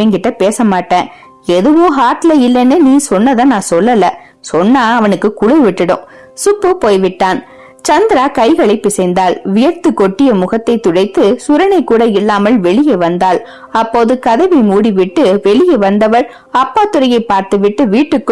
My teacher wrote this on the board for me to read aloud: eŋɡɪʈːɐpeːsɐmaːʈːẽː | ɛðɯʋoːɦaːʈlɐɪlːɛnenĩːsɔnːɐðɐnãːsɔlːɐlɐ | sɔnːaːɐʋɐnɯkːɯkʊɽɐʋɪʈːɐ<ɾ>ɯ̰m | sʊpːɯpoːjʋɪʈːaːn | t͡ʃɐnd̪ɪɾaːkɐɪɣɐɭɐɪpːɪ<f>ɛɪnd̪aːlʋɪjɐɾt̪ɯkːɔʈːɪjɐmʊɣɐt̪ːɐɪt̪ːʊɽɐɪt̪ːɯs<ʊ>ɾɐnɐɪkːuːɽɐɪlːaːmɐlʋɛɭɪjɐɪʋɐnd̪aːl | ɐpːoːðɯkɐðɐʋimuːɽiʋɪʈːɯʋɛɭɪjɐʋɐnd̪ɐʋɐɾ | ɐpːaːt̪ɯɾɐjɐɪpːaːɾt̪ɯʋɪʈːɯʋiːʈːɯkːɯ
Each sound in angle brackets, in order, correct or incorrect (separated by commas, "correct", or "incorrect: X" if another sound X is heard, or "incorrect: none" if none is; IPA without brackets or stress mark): incorrect: ɽ, incorrect: s, correct